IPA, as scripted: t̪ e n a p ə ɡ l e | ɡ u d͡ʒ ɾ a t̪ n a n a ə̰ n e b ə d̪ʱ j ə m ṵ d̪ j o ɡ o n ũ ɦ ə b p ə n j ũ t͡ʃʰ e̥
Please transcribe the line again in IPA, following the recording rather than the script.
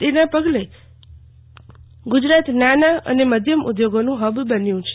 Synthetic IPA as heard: t̪ e n a p ə ɡ l e | ɡ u d͡ʒ ɾ a t̪ n a n a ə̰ n e m ə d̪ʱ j ə m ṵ d̪ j o ɡ o n ũ ɦ ə b b ə n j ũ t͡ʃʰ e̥

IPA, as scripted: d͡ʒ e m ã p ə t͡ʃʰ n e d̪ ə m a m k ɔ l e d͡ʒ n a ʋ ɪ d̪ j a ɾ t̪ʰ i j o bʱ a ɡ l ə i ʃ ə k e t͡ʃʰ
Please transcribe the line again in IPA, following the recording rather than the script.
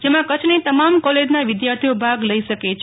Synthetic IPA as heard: d͡ʒ e m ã k ə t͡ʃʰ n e t̪ ə m a m k ɔ l e d͡ʒ n a ʋ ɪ d̪ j a ɾ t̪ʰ i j o bʱ a ɡ l ə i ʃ ə k e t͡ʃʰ

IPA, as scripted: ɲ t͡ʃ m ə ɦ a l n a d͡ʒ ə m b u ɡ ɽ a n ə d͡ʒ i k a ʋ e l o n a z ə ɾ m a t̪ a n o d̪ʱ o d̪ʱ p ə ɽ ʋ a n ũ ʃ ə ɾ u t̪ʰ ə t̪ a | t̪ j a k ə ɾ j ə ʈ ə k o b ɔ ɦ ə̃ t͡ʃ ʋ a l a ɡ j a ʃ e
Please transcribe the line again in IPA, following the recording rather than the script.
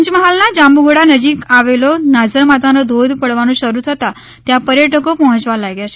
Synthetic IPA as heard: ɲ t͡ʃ m ə ɦ a l n a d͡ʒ a m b u ɡ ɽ a n ə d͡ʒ i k a ʋ e l o n a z ə ɾ m a t̪ a n o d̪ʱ o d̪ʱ p ə ɽ ʋ a n ũ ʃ ə ɾ u t̪ʰ ə t̪ a | t̪ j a p ə ɾ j ə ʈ ə k o p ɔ ɦ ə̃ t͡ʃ ʋ a l a ɡ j a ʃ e

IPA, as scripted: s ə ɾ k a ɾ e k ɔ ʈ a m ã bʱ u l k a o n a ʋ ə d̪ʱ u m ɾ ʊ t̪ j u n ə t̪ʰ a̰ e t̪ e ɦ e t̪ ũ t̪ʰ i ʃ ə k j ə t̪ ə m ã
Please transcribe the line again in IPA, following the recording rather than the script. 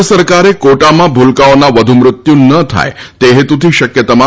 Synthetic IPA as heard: s ə ɾ k a ɾ e k o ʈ a m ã bʱ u l k a o n a ʋ ə d̪ʱ u m ɾ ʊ t̪ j u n ə t̪ʰ a̰ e t̪ e ɦ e t̪ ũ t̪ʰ i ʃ ə k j ə t̪ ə m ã

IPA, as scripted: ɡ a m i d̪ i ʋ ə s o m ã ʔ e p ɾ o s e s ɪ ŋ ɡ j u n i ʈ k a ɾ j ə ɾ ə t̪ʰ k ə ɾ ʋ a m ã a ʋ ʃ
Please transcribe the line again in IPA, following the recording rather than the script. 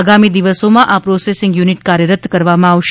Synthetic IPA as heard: ɡ a m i d̪ i ʋ ə s o m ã ʔ a p ɾ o s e s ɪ ŋ ɡ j u n i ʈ k a ɾ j ə ɾ ə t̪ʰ k ə ɾ ʋ a m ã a ʋ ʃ

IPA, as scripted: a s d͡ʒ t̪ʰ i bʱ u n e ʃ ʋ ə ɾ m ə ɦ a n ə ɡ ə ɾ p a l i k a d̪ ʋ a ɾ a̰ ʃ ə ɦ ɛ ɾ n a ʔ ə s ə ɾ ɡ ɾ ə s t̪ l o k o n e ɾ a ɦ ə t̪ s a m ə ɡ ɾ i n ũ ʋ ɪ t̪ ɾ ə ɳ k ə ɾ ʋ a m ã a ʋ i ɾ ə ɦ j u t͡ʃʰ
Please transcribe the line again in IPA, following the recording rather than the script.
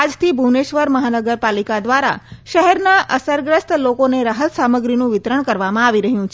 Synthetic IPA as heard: a d͡ʒ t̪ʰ i bʱ u n e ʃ ʋ ə ɾ m ə ɦ a n ə ɡ ə ɾ p a l i k a d̪ ʋ a ɾ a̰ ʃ ə ɦ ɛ ɾ n a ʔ ə s ə ɾ ɡ ɾ ə s t̪ l o k o n e ɾ a ɦ ə t̪ s a m ə ɡ ɾ i n ũ ʋ ɪ t̪ ɾ ə ɳ k ə ɾ ʋ a m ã a ʋ i ɾ ə ɦ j ũ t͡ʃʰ

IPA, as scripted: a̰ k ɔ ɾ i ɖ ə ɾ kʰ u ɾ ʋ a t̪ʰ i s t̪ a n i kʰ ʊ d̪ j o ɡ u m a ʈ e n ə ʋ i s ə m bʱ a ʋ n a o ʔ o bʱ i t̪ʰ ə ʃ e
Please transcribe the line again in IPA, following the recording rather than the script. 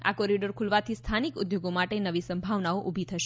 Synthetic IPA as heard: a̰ k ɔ ɾ i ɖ ə ɾ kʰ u l ʋ a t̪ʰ i s t̪ʰ a n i k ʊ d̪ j o ɡ o m a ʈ e n ə ʋ i s ə m bʱ a ʋ n a o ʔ u bʱ i t̪ʰ ə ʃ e

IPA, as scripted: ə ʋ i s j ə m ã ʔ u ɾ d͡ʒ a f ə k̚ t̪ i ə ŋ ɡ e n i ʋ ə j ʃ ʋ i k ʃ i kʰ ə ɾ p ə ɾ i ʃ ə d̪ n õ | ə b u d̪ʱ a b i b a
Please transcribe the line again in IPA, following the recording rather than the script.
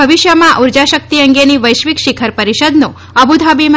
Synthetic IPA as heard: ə ʋ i ʃ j ə m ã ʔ u ɾ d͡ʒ a ʃ ə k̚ t̪ i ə ŋ ɡ e n i ʋ ə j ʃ ʋ i k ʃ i kʰ ə ɾ p ə ɾ i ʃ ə d̪ n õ | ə b u d̪ʱ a b i m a

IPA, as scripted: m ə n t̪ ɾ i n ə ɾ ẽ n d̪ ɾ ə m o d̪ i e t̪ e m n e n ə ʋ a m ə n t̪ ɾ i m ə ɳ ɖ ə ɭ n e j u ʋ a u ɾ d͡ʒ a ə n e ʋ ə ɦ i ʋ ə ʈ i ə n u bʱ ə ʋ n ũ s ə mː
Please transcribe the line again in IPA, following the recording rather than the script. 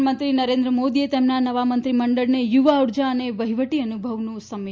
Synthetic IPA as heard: m ə n t̪ ɾ i n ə ɾ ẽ n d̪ ɾ ə m o d̪ i e t̪ e m n a n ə ʋ a m ə n t̪ ɾ i m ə ɳ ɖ ə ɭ n e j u ʋ a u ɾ d͡ʒ a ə n e ʋ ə ɦ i ʋ ə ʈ i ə n u bʱ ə ʋ n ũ s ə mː

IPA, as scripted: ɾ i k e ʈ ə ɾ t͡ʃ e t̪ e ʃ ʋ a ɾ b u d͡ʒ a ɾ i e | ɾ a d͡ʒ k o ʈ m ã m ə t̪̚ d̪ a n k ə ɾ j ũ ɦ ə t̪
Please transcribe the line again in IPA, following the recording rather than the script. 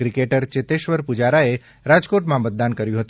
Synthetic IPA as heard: ɾ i k e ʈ ə ɾ t͡ʃ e t̪ e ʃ ʋ ə ɾ p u d͡ʒ a ɾ a e | ɾ a d͡ʒ k o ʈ m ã m ə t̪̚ d̪ a n k ə ɾ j ũ ɦ ə t̪

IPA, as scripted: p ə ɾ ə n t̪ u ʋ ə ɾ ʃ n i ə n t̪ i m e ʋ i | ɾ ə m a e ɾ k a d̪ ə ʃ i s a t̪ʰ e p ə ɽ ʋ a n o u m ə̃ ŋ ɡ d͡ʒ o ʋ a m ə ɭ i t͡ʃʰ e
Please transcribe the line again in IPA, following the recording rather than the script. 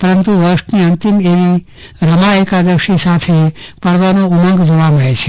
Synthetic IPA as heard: p ə ɾ ə n t̪ u ʋ ə ɾ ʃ n i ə n t̪ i m e ʋ i | ɾ ə m a e k a d̪ ə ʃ i s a t̪ʰ e p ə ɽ ʋ a n o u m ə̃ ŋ ɡ d͡ʒ o ʋ a m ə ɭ e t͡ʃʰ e

